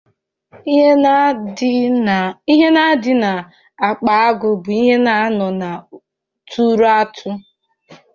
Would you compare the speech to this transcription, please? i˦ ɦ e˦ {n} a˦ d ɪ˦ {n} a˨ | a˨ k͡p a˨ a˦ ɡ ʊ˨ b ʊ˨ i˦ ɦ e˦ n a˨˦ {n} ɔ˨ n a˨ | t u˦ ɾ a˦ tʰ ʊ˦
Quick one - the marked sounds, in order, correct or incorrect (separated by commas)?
correct, correct, correct